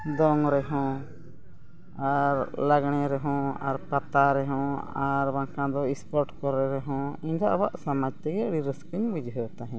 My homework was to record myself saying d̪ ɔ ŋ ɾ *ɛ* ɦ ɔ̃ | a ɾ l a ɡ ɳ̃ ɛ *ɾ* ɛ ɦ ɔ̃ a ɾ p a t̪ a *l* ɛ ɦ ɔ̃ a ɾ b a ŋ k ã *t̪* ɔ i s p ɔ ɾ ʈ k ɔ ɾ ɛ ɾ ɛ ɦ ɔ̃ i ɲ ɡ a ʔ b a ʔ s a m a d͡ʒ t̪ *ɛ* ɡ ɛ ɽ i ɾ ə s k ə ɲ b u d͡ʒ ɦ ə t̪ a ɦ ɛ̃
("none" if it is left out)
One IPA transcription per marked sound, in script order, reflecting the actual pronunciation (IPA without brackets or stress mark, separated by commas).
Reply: ɛ, ɾ, ɾ, d̪, ɛ